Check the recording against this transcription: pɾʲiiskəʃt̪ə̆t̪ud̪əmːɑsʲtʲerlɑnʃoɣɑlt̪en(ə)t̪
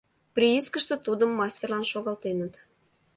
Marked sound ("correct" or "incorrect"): correct